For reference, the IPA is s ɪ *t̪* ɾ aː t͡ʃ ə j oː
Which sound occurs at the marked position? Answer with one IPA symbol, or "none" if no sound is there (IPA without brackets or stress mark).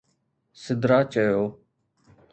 d̪